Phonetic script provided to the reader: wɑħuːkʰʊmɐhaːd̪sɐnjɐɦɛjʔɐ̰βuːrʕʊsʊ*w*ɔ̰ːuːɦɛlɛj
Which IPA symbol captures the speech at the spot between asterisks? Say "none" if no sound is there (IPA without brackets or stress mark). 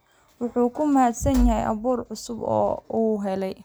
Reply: b